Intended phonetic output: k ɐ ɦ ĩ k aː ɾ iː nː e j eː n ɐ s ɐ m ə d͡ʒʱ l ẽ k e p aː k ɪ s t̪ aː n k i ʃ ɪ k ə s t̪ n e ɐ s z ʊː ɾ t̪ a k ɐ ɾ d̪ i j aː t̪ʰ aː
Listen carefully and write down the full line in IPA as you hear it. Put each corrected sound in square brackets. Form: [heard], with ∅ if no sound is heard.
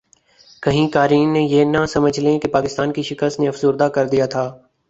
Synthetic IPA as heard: k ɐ ɦ ĩ k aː ɾ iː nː e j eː n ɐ s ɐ m ə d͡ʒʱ l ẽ k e p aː k ɪ s t̪ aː n k i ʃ ɪ k ə s t̪ n e ɐ [f] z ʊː ɾ [d̪] a k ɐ ɾ d̪ i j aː t̪ʰ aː